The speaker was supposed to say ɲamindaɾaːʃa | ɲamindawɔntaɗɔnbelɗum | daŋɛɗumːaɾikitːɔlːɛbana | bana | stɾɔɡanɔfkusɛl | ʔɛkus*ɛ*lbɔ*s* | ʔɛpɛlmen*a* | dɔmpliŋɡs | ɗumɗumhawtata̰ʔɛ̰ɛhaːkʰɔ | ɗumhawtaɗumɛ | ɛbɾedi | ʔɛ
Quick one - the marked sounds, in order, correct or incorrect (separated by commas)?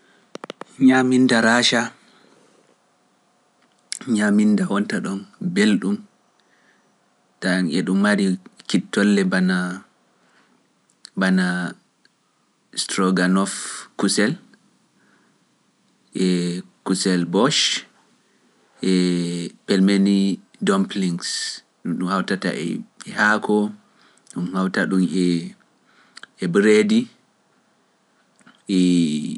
correct, incorrect, incorrect